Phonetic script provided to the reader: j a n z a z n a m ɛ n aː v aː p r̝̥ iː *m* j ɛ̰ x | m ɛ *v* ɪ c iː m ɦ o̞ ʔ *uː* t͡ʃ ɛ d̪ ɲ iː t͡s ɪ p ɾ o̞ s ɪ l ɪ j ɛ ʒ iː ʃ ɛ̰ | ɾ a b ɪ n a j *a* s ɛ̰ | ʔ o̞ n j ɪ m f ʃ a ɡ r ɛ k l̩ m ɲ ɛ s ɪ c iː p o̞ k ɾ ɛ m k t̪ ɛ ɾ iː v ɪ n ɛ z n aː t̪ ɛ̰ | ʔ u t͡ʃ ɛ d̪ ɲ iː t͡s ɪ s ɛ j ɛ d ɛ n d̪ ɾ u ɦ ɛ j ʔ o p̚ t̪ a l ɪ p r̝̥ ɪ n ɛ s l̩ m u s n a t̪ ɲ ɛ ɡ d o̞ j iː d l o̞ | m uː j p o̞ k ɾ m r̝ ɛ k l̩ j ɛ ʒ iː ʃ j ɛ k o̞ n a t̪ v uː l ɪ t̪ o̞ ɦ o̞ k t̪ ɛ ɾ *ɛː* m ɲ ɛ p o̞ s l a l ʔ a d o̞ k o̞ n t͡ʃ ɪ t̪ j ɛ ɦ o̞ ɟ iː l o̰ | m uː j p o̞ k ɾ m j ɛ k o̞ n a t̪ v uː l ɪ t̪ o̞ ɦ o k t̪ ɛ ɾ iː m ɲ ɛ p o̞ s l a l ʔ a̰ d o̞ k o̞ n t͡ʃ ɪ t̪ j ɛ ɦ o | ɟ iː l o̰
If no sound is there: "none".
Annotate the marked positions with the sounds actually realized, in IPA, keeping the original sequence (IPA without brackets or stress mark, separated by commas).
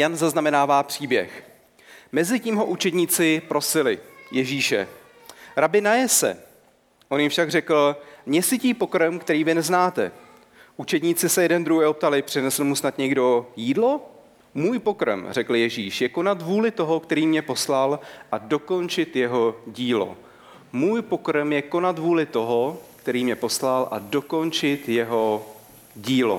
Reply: b, z, u, ɛ, iː